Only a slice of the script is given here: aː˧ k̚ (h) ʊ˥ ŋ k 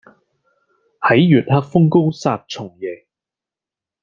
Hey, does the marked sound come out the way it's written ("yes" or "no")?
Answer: no